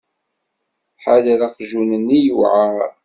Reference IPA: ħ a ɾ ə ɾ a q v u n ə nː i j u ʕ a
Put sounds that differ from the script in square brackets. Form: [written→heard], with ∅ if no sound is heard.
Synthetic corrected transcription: ħ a [ɾ→l] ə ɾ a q [v→ʒ] u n ə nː i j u ʕ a